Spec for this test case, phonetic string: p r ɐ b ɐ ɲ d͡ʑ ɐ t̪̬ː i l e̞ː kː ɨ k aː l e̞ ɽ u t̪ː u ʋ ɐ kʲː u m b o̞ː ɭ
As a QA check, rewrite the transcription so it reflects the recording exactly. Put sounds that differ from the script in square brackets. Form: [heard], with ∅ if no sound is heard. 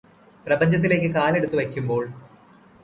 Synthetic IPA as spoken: p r ɐ b ɐ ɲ d͡ʑ ɐ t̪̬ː i l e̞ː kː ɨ k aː l e̞ ɽ u t̪ː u ʋ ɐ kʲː u m b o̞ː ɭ